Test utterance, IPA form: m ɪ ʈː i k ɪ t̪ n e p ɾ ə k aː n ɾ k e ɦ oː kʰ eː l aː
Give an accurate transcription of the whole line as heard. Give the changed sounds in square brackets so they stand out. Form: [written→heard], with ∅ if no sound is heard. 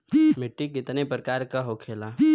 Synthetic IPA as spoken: m ɪ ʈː i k ɪ t̪ n e p ɾ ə k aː [n→∅] ɾ k [e→a] ɦ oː kʰ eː l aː